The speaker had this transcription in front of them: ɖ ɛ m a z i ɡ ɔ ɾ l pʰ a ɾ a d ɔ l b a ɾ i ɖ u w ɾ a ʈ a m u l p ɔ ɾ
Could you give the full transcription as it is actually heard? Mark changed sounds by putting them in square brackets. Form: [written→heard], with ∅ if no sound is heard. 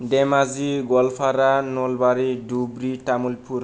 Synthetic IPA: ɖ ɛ m a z i ɡ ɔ [ɾ→∅] l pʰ a ɾ a [d→n] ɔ l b a ɾ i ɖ u [w→b] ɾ [a→i] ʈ a m u l p [ɔ→u] ɾ